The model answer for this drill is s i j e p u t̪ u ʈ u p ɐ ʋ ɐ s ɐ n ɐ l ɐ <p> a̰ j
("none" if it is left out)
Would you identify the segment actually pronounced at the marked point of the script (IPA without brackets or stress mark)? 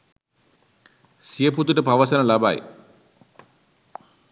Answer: b